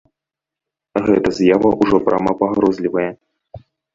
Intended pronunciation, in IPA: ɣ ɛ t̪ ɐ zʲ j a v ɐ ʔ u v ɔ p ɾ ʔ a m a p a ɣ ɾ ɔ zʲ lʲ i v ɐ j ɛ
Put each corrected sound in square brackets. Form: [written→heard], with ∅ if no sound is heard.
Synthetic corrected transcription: ɣ ɛ t̪ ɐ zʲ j a v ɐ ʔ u [v→ʐ] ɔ p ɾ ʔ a m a p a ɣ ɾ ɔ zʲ lʲ i v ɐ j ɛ